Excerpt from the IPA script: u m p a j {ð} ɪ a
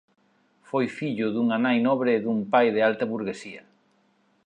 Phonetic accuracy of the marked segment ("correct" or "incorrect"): correct